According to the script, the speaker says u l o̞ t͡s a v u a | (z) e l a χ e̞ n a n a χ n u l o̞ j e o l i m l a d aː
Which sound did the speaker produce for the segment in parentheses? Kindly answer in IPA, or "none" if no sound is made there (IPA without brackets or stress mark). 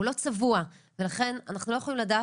v